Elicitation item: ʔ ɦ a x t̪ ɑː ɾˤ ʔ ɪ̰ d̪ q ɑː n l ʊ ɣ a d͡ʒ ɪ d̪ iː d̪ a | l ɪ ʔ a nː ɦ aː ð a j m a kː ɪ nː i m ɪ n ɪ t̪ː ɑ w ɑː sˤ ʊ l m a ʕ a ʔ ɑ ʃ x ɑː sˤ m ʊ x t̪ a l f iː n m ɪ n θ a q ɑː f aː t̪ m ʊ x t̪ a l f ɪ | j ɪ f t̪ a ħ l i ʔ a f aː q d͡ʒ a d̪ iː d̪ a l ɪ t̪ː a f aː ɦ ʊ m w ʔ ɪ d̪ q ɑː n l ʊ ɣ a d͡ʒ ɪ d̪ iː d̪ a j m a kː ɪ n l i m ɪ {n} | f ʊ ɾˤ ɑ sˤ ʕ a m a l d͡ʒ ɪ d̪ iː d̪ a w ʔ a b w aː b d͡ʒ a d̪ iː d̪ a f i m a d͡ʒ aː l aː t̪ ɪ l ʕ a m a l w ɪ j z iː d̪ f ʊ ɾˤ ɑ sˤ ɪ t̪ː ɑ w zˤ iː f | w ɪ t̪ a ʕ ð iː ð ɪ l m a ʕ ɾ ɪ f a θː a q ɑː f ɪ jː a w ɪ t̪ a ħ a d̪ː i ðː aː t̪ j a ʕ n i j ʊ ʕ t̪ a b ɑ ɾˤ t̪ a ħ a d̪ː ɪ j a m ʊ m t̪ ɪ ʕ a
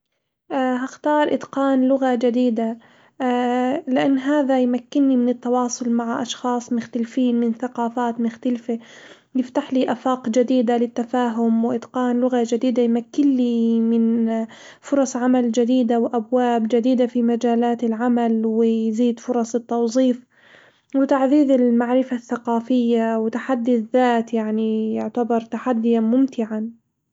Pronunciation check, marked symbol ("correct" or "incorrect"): correct